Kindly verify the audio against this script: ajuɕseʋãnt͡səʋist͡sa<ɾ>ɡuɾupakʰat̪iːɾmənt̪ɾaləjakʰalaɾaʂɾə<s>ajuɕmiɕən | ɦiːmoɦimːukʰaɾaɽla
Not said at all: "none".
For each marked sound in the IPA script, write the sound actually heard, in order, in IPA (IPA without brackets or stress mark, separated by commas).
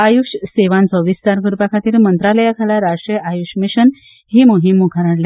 ɾ, none